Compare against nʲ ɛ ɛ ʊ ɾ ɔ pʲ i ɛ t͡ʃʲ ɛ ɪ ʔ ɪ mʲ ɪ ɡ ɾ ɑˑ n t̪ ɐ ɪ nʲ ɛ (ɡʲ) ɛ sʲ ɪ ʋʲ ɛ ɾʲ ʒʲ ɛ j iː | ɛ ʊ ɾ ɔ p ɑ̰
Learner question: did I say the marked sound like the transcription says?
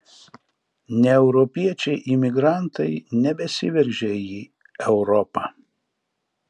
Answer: no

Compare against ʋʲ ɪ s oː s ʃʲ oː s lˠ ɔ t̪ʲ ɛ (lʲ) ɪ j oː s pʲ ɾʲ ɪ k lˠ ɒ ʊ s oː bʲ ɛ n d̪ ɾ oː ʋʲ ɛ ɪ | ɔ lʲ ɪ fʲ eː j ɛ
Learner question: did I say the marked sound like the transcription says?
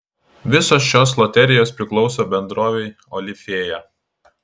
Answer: no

